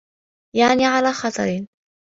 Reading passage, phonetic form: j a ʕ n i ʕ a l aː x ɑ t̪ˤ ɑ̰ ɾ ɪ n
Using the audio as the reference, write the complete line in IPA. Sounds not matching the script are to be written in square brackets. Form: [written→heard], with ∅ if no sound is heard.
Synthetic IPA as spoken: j a ʕ n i ʕ a l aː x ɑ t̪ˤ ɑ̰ ɾ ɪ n